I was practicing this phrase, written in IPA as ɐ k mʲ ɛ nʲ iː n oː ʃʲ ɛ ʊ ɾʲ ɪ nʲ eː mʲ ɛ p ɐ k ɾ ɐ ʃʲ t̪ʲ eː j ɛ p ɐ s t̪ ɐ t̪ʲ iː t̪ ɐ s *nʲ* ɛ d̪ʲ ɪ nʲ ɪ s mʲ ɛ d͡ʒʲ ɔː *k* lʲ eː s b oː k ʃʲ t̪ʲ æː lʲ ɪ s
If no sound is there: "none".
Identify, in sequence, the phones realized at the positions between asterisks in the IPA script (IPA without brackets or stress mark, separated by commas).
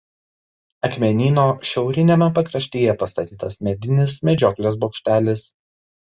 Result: mʲ, k